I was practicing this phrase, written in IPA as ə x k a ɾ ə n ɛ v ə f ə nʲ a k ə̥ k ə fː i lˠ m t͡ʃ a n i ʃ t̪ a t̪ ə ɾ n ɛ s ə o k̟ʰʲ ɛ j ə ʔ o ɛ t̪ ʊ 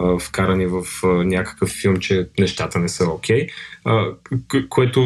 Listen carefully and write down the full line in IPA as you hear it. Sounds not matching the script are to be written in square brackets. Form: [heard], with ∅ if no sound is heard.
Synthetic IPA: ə [f] k a ɾ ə n [i] v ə f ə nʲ a k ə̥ k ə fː i lˠ m t͡ʃ [ɛ] n [ɛ] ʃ t̪ a t̪ ə [∅] n ɛ s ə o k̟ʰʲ ɛ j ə [k] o ɛ t̪ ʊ